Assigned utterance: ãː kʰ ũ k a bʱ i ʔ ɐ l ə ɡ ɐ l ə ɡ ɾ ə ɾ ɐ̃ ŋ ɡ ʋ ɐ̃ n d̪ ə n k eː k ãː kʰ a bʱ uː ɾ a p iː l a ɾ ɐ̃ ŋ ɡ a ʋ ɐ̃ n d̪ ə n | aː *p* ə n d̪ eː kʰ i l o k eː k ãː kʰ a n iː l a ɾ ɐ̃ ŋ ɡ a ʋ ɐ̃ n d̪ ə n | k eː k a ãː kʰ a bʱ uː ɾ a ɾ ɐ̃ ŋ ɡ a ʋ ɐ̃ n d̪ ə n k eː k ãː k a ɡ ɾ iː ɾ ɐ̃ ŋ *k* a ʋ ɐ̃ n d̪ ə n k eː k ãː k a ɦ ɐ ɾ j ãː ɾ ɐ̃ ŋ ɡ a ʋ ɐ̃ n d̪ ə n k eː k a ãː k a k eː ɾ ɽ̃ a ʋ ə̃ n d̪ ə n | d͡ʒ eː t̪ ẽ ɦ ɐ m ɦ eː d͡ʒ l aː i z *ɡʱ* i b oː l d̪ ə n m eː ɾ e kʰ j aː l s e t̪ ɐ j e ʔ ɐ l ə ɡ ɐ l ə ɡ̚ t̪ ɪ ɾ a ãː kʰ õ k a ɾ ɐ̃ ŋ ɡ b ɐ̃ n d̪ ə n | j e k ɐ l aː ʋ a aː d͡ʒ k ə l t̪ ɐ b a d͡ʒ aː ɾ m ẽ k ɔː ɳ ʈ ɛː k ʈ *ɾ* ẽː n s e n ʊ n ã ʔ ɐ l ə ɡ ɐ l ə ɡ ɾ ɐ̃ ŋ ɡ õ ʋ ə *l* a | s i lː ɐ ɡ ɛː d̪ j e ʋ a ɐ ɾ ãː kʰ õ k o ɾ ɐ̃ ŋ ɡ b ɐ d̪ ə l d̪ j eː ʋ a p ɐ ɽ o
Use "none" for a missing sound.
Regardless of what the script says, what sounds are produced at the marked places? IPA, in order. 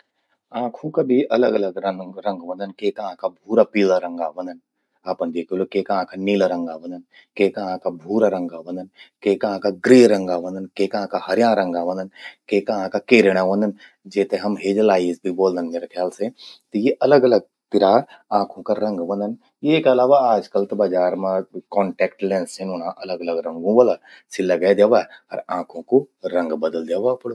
p, ɡ, bʱ, l, l

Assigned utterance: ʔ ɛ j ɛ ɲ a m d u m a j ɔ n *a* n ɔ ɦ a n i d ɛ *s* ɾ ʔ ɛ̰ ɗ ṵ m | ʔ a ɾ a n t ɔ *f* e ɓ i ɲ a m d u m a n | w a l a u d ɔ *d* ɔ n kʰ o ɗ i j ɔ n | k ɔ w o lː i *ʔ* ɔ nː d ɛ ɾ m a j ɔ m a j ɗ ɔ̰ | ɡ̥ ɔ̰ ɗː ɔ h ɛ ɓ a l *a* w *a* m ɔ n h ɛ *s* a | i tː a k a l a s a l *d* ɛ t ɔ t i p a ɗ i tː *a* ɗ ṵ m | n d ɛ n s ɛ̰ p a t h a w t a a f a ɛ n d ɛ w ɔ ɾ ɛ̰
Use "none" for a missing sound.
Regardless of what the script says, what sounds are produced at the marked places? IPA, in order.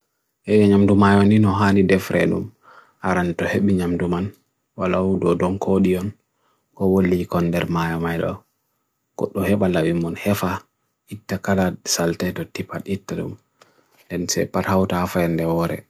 i, f, h, d, k, a, i, f, t, a

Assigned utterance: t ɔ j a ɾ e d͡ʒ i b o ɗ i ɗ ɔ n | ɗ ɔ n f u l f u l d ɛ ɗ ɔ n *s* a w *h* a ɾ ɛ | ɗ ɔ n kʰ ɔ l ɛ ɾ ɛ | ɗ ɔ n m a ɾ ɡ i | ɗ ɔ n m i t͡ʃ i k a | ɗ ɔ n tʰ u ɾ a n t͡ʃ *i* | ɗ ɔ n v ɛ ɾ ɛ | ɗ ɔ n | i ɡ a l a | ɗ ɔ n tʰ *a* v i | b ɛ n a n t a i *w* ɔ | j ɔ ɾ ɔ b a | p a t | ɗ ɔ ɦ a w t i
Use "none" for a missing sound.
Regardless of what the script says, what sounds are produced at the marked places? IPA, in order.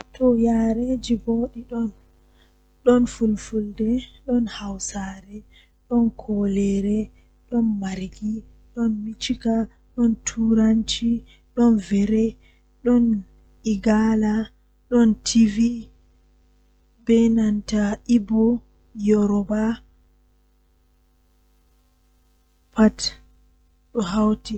h, s, i, i, b

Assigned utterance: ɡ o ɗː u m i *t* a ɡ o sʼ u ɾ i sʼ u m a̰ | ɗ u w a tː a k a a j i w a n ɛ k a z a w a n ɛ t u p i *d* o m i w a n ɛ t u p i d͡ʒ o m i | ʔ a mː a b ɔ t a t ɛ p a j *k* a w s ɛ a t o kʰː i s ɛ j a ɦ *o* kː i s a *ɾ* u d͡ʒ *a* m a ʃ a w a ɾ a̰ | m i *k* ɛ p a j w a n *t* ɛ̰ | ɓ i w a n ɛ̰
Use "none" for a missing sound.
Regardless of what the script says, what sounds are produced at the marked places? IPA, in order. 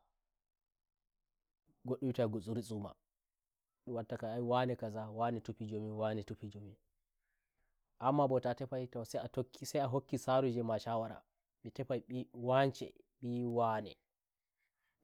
t, d͡ʒ, t, o, ɾ, ɛ, t, t͡ʃ

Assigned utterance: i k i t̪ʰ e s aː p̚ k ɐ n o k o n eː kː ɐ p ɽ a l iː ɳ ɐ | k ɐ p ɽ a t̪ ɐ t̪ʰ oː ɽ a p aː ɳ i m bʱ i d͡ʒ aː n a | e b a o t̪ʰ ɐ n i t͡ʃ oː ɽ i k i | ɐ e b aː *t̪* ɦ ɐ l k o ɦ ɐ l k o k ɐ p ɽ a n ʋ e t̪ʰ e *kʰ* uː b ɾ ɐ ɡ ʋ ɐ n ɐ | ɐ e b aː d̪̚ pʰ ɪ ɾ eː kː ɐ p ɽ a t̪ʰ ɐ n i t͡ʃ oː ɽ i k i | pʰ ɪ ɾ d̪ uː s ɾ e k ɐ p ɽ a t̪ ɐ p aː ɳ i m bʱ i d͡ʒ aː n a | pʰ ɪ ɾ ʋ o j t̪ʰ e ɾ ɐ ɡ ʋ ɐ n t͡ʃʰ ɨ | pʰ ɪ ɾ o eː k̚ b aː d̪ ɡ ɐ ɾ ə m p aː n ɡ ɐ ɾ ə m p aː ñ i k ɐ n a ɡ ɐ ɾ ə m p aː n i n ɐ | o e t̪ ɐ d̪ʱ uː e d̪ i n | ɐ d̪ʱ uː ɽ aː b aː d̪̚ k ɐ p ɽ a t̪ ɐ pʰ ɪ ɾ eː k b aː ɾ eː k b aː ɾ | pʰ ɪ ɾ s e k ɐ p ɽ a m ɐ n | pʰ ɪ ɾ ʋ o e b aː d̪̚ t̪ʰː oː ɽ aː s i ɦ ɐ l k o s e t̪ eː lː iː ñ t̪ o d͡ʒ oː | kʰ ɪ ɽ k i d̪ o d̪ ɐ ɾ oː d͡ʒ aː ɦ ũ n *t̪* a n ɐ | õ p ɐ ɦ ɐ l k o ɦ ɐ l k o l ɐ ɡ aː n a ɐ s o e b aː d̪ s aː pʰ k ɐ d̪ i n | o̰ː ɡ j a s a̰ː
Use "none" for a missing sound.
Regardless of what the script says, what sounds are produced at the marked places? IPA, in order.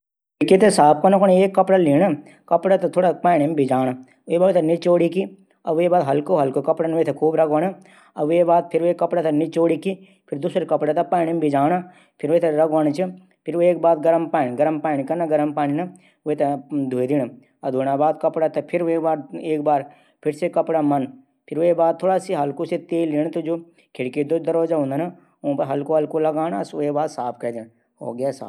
d̪, kʰ, d̪

